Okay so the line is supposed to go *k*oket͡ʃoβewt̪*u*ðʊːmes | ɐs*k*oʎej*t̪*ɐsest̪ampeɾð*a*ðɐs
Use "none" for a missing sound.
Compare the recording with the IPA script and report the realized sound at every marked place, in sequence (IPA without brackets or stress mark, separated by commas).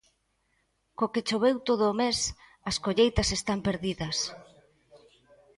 k, o, k, t̪, i